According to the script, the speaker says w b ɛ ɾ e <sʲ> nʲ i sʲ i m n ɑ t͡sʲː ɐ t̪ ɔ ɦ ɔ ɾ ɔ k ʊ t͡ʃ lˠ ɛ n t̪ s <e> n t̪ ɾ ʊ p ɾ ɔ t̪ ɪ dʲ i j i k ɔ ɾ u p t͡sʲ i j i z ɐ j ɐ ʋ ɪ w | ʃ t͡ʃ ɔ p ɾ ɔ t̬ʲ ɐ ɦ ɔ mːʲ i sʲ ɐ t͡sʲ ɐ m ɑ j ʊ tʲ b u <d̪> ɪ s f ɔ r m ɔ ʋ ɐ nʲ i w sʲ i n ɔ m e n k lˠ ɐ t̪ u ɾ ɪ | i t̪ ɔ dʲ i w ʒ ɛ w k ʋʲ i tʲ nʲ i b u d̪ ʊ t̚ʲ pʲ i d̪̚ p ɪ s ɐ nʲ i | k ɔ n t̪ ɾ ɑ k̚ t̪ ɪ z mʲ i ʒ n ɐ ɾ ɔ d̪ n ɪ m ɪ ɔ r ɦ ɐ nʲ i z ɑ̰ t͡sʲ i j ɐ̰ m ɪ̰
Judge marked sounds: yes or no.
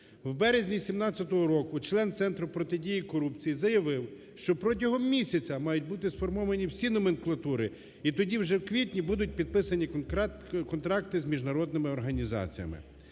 no, no, no

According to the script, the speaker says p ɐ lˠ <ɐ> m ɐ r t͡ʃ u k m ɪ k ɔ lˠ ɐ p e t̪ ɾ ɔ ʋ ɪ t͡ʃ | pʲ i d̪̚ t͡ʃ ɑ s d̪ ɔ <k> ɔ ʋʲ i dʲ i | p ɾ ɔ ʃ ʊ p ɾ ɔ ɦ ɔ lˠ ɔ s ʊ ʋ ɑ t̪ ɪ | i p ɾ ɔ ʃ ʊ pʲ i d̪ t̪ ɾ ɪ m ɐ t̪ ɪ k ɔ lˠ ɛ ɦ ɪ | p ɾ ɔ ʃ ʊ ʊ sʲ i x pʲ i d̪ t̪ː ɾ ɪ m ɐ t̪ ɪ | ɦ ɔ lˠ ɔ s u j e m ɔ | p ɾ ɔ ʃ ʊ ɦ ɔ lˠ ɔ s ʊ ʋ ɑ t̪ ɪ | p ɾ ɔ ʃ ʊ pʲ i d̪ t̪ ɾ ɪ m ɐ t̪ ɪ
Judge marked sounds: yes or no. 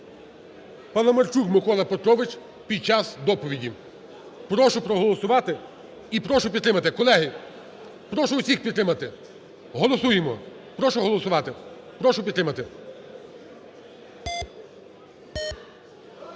yes, no

